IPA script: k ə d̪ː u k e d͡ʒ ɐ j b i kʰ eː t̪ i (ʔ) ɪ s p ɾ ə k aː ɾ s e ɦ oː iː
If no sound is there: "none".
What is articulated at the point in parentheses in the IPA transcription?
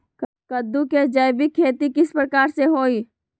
k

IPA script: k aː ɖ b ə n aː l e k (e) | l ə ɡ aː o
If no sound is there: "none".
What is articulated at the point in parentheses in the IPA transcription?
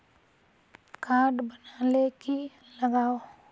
i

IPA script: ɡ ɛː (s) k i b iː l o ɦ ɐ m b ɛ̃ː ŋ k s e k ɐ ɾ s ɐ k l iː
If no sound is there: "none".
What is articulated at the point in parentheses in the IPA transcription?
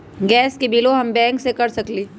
s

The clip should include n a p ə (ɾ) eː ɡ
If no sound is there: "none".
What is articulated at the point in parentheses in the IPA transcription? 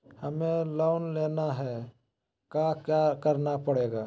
ɽ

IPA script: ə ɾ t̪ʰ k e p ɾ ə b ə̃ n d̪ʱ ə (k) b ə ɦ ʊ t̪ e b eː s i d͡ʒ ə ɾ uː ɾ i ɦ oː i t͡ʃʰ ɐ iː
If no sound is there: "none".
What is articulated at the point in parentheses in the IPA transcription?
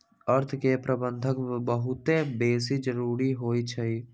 k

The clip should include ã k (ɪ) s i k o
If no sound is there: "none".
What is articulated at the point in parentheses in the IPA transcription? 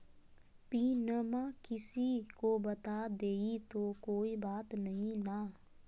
ɪ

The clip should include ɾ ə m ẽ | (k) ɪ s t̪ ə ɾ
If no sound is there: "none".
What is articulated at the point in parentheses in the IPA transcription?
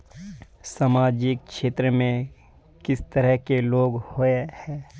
k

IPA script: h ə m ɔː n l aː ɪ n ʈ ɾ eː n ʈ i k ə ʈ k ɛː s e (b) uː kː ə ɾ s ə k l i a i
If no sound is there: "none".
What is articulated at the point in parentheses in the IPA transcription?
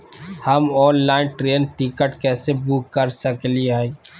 b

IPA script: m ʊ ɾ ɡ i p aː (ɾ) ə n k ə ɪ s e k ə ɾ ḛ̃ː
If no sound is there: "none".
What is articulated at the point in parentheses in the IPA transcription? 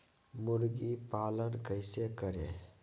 l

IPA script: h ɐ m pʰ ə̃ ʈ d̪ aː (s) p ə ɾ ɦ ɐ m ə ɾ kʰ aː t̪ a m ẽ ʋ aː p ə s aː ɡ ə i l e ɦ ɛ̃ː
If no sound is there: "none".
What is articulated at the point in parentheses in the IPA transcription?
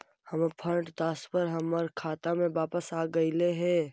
s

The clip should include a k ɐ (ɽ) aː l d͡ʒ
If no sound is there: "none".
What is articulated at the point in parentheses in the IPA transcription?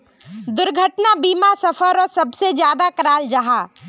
ɾ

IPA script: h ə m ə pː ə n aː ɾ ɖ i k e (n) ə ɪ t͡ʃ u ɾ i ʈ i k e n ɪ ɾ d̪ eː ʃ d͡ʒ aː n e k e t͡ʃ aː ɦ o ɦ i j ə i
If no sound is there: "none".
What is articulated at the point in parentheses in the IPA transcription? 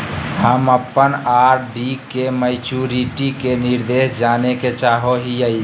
m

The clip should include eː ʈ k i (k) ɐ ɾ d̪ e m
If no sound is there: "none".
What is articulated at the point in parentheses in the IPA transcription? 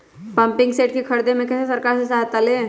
kʰ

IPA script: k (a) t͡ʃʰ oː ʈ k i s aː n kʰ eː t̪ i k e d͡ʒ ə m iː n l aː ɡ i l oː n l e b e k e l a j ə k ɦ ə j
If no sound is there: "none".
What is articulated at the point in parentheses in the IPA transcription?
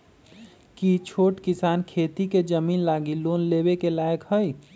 i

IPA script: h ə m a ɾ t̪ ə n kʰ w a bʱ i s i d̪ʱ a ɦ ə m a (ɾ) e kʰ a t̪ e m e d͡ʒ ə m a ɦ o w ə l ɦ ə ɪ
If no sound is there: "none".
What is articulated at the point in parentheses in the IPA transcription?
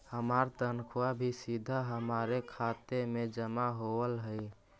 ɾ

